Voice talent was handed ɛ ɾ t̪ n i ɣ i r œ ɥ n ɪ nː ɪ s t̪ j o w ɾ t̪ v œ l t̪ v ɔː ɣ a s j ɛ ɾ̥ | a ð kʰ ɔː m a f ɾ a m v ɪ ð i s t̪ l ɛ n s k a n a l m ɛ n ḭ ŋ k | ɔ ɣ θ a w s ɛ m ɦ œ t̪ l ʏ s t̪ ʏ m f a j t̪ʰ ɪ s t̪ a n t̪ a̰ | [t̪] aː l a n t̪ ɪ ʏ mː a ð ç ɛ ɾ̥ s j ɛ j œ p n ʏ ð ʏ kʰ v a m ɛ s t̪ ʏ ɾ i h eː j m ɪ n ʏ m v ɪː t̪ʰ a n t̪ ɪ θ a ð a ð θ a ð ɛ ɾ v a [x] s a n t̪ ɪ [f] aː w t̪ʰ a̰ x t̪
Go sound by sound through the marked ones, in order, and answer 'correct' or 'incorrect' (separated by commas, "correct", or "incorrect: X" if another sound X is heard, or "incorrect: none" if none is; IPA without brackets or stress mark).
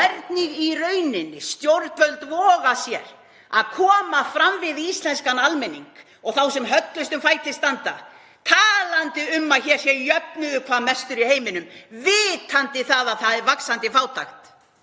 incorrect: t̪ʰ, incorrect: k, correct